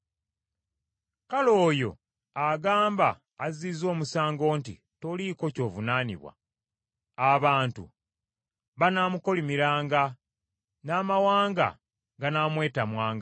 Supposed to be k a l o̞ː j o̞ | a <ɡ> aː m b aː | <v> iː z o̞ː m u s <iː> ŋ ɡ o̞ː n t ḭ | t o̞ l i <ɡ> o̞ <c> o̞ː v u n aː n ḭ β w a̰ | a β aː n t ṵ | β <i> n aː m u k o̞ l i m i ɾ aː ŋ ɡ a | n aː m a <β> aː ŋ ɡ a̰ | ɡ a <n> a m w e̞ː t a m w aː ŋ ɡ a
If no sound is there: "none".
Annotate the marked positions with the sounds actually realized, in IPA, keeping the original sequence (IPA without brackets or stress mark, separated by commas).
ɡ, z, aː, k, c, a, w, n